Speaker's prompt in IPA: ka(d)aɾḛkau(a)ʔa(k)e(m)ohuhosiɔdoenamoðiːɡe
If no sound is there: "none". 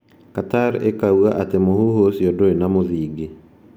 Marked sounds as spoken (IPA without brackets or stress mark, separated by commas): t, a, t, m